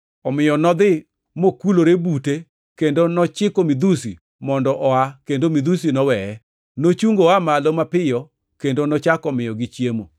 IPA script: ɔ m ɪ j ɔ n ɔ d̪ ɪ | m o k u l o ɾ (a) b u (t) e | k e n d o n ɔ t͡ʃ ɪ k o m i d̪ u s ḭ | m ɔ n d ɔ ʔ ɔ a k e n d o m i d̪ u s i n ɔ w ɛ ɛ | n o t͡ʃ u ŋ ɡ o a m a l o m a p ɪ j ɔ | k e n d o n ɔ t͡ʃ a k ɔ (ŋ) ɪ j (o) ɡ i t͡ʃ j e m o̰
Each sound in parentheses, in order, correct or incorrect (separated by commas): incorrect, correct, incorrect, incorrect